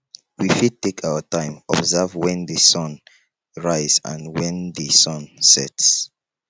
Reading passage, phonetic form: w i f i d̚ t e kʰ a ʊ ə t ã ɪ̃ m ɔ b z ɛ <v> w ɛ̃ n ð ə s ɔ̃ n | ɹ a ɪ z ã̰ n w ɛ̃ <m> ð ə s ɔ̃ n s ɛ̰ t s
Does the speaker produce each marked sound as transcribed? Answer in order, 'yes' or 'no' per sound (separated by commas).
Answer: yes, no